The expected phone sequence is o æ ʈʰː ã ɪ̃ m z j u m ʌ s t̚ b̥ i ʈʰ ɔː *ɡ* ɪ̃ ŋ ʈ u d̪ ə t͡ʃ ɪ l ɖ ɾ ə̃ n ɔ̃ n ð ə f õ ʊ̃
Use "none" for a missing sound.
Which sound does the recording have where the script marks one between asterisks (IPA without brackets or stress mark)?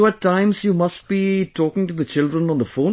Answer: k